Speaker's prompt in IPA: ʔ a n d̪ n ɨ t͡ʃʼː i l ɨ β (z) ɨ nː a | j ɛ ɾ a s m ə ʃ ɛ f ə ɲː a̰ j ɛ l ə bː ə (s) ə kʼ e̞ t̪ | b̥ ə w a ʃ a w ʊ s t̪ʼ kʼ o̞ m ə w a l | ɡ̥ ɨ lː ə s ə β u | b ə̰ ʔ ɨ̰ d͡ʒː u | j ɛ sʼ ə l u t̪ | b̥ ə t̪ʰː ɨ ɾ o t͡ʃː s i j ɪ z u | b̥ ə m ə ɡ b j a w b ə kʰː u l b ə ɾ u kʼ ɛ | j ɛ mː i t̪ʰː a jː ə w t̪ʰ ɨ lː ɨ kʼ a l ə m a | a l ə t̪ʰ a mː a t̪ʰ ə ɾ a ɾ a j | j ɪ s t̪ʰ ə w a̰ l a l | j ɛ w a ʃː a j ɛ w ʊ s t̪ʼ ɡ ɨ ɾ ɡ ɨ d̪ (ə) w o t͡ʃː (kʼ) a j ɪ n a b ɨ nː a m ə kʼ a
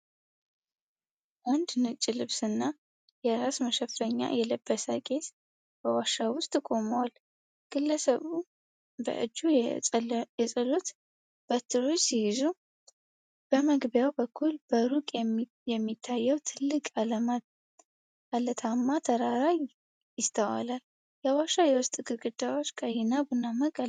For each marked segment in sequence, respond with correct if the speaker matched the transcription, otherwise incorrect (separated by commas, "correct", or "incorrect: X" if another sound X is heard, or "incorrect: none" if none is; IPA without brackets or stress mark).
incorrect: s, correct, incorrect: a, correct